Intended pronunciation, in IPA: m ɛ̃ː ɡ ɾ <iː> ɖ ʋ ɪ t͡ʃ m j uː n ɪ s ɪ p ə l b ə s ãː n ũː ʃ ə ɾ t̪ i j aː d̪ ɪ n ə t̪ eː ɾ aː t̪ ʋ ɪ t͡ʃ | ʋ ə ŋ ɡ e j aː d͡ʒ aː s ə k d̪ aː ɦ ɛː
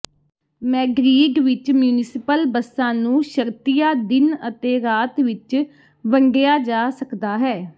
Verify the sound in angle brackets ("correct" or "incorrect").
correct